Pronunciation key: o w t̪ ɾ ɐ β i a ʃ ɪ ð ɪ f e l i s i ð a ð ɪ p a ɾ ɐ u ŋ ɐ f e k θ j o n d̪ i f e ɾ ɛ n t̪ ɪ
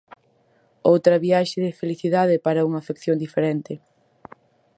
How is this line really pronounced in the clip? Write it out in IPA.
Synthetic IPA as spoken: o w t̪ ɾ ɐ β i a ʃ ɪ ð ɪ f e l i θ i ð a ð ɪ p a ɾ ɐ u ŋ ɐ f e k θ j o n d̪ i f e ɾ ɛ n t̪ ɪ